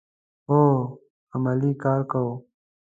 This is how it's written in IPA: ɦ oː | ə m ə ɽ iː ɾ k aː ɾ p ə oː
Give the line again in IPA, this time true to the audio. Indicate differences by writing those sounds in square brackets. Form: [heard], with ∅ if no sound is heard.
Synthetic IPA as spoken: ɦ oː | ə m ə [l] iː [∅] k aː ɾ [k] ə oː